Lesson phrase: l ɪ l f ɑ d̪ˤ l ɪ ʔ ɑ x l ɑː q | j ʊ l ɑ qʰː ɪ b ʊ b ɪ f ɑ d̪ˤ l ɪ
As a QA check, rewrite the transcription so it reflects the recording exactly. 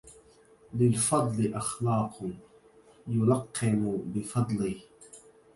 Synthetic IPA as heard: l ɪ l f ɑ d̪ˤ l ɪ ʔ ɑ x l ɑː q | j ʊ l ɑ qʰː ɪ m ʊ b ɪ f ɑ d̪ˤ l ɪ